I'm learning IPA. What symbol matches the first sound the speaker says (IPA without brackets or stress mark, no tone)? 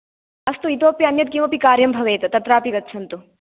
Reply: ɐ